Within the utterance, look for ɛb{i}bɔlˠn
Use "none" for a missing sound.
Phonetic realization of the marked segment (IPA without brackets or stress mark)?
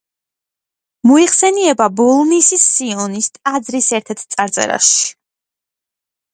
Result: a